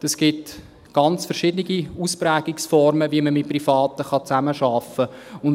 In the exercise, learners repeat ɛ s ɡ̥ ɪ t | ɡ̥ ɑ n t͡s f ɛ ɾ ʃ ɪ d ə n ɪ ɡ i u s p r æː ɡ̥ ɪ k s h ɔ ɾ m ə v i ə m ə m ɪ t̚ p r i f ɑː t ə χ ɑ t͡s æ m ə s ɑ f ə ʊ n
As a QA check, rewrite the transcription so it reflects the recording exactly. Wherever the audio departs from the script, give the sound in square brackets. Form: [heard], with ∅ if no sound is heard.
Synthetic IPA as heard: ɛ s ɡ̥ ɪ t | ɡ̥ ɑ n t͡s f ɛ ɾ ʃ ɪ d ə n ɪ ɡ i u s p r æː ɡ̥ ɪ k s [f] ɔ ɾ m ə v i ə m ə m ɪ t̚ p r i f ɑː t ə χ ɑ t͡s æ m ə [ʃ] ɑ f ə ʊ n

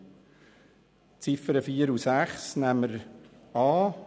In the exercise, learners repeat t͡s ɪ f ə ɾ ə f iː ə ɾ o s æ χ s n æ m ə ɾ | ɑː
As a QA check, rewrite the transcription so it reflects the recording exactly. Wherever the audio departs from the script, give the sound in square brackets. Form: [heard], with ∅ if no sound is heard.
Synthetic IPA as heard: t͡s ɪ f ə ɾ ə f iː ə ɾ [u] s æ χ s n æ m ə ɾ | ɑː

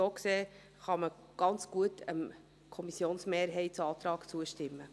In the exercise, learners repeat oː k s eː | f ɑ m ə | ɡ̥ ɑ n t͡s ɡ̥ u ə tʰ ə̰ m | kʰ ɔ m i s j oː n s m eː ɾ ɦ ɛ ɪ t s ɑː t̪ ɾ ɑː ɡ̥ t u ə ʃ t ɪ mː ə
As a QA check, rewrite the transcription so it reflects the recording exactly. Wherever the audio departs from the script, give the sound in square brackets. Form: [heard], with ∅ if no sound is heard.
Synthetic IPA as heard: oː k s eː | [χ] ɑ m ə | ɡ̥ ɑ n t͡s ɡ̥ u ə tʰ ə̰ m | kʰ ɔ m i s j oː n s m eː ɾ ɦ ɛ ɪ t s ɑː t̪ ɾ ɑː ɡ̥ [t͡s] u ə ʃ t ɪ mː ə

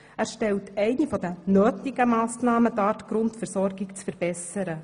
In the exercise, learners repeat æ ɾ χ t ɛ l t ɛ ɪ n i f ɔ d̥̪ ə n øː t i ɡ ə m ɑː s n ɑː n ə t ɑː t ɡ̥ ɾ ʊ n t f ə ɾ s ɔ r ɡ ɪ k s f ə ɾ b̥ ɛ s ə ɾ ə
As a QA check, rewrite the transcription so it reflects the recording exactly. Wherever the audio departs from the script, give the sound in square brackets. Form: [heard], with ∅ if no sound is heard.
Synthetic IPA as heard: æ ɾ [ʃ] t ɛ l t ɛ ɪ n i f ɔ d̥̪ ə n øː t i ɡ ə m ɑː s n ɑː [m] ə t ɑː t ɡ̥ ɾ ʊ n t f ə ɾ s ɔ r ɡ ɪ k [t͡s] f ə ɾ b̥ ɛ s ə ɾ ə

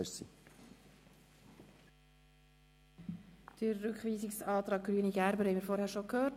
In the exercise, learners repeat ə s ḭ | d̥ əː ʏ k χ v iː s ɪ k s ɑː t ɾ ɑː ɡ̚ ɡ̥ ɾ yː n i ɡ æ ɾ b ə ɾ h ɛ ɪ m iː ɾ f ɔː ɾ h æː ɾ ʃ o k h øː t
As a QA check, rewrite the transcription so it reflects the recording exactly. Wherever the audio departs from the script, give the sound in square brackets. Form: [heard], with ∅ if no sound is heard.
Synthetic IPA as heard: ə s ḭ | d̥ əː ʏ k χ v iː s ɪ k s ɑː t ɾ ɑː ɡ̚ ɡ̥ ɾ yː n i ɡ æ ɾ b ə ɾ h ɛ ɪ m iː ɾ f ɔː ɾ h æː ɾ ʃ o k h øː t

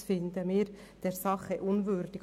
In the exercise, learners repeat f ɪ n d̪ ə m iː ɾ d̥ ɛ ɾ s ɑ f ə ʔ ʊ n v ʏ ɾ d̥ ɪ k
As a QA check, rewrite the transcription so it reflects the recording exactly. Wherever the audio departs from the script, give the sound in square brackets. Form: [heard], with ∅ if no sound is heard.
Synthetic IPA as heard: f ɪ n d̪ ə m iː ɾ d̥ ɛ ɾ s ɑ [χ] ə ʔ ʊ n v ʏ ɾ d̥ ɪ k

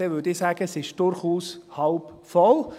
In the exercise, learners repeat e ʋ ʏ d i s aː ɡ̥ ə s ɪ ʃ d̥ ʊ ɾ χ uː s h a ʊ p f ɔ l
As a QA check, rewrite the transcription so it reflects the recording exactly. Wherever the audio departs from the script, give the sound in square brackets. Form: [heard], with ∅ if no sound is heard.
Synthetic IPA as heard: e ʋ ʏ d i s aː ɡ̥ ə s ɪ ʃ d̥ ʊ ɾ χ uː s h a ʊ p f ɔ l

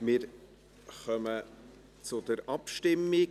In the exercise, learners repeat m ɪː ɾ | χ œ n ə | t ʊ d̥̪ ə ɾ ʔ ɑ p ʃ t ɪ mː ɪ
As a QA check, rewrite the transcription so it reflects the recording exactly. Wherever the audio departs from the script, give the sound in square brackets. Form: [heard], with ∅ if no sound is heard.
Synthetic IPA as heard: m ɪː ɾ | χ œ [m] ə | [t͡s] ʊ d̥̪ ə ɾ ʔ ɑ p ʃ t ɪ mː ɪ

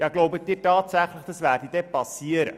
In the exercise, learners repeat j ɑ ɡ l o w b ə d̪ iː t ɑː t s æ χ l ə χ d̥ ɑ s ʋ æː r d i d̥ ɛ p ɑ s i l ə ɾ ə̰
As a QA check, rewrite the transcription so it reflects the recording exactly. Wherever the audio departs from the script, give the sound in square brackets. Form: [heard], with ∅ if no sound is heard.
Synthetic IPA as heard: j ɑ ɡ l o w b ə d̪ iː t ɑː t s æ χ l ə χ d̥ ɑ s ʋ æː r d i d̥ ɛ p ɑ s i [∅] ə ɾ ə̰

